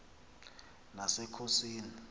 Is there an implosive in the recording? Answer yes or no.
no